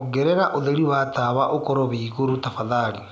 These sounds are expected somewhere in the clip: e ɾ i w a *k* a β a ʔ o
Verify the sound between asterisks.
incorrect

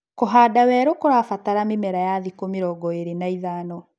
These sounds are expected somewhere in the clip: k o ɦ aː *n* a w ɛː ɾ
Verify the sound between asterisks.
incorrect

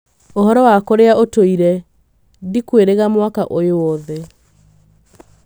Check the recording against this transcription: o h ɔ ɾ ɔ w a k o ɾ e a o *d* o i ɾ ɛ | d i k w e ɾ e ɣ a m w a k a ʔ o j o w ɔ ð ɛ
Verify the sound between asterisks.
incorrect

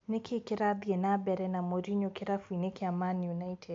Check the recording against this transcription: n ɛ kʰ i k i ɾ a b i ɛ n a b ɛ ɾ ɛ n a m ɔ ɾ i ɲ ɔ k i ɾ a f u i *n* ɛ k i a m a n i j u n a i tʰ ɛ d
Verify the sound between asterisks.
correct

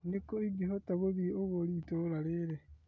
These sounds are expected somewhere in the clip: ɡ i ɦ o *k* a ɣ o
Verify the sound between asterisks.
incorrect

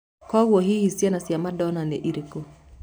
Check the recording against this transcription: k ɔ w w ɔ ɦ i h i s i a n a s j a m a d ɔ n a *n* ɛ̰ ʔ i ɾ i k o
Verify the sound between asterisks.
correct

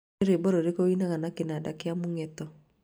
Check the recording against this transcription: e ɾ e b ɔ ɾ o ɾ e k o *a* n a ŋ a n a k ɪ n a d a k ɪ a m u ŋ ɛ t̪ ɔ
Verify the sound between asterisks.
incorrect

